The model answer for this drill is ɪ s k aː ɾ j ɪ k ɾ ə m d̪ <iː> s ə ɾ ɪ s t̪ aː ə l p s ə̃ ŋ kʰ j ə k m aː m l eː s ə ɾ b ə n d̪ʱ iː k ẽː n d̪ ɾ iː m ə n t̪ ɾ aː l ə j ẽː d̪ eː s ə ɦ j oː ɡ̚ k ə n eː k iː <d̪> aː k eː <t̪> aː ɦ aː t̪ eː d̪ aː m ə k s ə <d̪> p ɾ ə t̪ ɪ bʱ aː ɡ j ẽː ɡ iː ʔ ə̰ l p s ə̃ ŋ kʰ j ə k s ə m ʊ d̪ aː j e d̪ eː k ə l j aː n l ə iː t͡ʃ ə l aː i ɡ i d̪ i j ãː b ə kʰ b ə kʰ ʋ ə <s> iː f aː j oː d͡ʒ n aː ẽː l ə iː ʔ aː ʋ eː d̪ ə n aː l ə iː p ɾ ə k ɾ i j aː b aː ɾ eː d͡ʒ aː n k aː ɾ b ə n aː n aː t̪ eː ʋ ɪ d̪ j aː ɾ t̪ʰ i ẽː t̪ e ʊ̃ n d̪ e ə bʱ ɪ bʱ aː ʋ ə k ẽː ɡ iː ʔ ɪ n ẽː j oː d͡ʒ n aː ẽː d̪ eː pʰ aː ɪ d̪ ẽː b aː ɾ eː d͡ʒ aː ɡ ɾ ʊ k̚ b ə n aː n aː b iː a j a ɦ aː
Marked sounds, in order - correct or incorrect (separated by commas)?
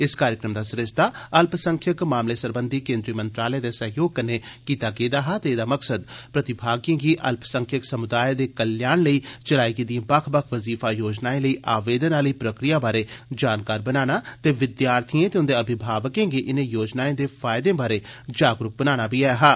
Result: incorrect, incorrect, incorrect, correct, incorrect